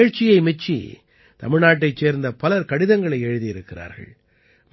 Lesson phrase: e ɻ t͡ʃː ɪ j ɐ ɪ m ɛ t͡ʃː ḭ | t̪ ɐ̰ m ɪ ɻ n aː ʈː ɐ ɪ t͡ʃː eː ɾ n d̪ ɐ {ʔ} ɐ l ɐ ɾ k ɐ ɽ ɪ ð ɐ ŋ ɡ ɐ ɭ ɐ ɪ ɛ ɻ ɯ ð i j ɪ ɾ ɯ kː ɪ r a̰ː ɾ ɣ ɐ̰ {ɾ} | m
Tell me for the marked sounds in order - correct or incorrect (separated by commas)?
incorrect, incorrect